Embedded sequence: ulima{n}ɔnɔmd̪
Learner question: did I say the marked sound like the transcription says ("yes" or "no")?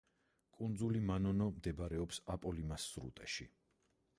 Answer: yes